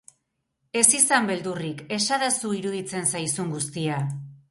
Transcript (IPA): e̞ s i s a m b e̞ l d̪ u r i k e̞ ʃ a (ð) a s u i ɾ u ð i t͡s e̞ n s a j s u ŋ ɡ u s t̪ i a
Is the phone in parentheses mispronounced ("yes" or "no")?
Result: no